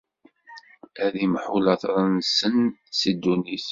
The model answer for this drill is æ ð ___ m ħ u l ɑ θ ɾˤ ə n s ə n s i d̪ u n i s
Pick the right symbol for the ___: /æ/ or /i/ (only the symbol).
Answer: i